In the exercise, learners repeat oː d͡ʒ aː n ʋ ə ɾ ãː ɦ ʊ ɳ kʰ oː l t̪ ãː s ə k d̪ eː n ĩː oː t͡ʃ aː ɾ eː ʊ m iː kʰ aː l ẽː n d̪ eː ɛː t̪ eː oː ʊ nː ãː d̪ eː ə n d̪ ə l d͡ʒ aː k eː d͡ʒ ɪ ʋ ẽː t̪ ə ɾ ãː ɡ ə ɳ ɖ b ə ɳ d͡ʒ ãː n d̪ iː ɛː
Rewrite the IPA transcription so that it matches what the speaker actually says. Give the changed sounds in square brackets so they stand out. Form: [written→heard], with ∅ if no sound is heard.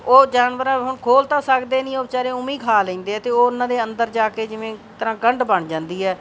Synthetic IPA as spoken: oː d͡ʒ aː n ʋ ə ɾ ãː ɦ ʊ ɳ kʰ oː l t̪ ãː s ə k d̪ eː n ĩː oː t͡ʃ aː ɾ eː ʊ m iː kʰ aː l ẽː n d̪ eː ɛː t̪ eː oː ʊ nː ãː d̪ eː ə n d̪ ə [l→ɾ] d͡ʒ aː k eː d͡ʒ ɪ ʋ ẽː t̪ ə ɾ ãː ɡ ə ɳ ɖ b ə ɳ d͡ʒ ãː n d̪ iː ɛː